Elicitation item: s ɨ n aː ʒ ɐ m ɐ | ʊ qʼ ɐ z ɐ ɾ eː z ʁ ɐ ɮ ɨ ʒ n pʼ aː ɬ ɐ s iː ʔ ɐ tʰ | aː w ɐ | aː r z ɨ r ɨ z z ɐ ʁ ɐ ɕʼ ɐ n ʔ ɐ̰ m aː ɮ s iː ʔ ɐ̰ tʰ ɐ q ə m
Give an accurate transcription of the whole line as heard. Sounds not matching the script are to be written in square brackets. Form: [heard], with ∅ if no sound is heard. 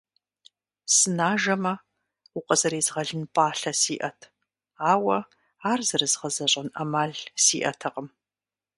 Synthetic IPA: s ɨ n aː ʒ ɐ m ɐ | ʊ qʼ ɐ z ɐ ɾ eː z ʁ ɐ ɮ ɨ [∅] n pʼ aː ɬ ɐ s iː ʔ ɐ tʰ | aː w ɐ | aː r z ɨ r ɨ z [ʁ] ɐ [z] ɐ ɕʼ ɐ n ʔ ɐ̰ m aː ɮ s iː ʔ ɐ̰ tʰ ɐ q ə m